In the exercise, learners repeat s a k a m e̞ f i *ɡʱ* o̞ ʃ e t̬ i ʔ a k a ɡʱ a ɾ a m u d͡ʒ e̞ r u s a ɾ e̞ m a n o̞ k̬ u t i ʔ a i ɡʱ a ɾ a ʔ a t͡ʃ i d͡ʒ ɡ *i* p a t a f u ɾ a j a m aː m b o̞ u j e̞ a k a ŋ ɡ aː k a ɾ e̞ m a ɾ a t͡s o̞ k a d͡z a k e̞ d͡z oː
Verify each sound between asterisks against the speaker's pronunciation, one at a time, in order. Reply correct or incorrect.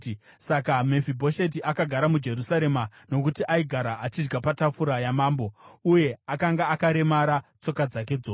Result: incorrect, incorrect

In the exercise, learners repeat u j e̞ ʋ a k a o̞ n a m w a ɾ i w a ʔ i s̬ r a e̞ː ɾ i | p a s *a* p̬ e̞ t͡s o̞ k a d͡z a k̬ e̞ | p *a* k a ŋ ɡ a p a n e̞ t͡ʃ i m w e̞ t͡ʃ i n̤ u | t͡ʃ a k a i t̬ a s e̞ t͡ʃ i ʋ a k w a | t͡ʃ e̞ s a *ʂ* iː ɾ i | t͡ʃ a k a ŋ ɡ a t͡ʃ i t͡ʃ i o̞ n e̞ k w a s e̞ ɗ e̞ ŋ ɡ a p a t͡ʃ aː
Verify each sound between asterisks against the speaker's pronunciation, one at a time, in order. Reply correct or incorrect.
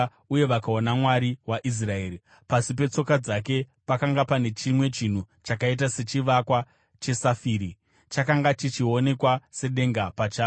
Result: incorrect, correct, incorrect

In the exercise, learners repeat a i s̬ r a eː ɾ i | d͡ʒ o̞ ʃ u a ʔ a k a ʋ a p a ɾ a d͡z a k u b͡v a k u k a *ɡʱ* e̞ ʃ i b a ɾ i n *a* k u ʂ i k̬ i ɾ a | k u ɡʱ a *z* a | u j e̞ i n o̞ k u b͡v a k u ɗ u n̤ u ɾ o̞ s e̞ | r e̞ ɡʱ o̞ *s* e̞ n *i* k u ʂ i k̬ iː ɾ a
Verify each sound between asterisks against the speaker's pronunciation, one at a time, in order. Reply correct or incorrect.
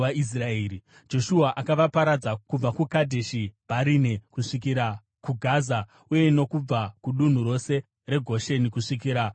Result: incorrect, incorrect, correct, incorrect, correct

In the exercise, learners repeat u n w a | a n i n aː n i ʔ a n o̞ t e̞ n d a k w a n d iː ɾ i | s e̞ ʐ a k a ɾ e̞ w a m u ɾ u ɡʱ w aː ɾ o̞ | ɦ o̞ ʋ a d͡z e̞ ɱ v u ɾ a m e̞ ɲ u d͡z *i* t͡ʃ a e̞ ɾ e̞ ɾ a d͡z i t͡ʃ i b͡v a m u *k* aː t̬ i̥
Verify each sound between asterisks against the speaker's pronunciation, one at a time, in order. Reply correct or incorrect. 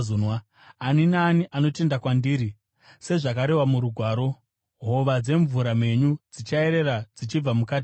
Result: correct, correct

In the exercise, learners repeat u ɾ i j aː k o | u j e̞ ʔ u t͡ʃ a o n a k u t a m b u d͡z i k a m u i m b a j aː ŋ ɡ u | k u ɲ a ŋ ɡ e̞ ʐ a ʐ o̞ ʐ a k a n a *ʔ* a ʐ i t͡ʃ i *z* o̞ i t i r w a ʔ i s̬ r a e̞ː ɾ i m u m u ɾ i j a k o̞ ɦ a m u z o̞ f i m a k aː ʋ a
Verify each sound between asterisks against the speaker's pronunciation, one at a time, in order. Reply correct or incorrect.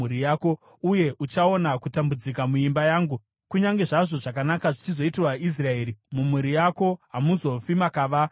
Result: incorrect, correct

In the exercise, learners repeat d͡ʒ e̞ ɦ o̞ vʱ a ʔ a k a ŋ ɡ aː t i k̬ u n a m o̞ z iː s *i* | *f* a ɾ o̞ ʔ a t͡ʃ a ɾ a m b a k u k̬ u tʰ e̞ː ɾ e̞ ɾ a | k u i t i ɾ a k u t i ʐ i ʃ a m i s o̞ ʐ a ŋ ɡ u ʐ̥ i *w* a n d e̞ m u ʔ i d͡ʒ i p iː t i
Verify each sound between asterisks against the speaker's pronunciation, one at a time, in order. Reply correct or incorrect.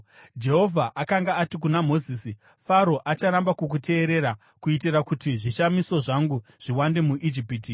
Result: correct, correct, correct

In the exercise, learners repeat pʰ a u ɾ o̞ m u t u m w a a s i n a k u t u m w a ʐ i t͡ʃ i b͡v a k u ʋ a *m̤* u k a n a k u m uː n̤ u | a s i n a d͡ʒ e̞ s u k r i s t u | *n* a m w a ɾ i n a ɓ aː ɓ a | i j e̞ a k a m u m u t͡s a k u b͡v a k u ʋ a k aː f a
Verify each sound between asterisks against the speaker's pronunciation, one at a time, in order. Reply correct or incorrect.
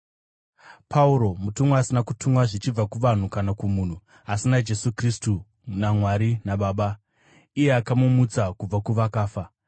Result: incorrect, correct

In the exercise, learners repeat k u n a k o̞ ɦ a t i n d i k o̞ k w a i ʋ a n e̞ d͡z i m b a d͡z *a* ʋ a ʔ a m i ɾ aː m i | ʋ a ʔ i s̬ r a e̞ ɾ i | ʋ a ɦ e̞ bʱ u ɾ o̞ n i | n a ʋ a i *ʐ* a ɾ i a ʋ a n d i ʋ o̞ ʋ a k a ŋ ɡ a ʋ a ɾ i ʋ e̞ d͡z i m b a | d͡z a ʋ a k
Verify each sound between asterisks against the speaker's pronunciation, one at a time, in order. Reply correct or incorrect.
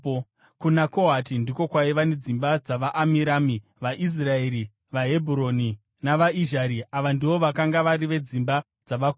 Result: correct, incorrect

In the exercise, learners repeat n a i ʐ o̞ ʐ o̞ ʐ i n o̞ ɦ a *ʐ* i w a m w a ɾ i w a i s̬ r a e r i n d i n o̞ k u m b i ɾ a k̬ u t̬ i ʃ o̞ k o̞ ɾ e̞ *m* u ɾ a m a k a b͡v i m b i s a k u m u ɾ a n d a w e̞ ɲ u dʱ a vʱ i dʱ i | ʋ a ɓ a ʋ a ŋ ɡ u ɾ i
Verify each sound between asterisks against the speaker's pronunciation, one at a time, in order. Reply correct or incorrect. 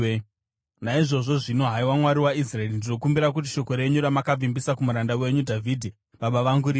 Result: incorrect, incorrect

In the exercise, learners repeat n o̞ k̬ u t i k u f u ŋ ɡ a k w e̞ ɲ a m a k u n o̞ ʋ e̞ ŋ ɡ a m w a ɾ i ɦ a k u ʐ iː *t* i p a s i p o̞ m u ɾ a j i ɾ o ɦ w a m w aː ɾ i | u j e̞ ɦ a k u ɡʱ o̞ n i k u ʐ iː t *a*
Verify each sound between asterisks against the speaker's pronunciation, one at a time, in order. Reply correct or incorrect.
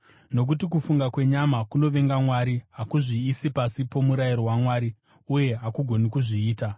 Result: incorrect, correct

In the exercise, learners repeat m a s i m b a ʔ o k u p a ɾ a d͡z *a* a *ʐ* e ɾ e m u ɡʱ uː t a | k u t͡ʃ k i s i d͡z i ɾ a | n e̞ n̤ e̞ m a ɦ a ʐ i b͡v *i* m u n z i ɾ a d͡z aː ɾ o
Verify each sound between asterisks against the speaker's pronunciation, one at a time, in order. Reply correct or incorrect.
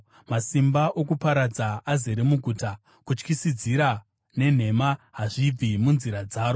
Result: correct, incorrect, correct

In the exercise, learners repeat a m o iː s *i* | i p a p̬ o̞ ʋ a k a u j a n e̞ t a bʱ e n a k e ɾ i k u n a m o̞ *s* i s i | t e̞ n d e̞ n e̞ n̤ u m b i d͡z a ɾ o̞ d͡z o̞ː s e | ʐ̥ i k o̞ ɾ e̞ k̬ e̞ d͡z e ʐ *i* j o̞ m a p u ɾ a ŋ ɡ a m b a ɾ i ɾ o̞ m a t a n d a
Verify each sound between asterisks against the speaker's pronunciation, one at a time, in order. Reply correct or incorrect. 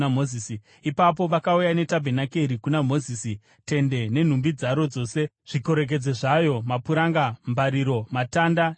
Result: correct, incorrect, incorrect

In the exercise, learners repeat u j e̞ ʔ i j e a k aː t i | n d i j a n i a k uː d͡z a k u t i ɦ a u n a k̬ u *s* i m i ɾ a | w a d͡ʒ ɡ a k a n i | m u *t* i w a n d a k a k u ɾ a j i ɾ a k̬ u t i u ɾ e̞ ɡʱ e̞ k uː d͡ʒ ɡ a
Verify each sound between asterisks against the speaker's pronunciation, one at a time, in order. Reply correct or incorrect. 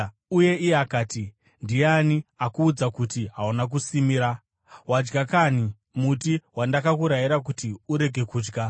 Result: correct, correct

